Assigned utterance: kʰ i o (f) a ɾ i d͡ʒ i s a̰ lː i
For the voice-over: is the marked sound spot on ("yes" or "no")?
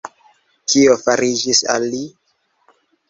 yes